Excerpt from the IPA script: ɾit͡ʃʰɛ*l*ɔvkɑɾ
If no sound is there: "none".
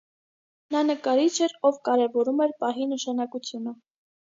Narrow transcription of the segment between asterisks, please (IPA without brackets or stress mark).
ɾ